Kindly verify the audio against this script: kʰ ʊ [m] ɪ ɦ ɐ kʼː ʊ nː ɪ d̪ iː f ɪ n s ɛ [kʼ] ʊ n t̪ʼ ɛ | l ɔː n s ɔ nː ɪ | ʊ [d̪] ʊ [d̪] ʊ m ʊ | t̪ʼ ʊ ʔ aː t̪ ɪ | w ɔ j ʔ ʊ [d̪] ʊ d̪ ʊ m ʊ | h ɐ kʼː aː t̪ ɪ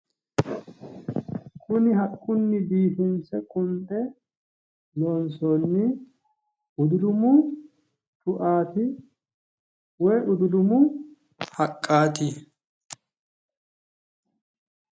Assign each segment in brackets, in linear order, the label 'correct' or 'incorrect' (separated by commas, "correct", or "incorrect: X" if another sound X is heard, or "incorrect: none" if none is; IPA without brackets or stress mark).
incorrect: n, correct, correct, correct, correct